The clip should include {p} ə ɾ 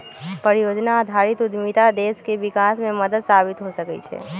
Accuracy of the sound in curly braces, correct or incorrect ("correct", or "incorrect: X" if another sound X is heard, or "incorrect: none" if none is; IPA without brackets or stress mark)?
correct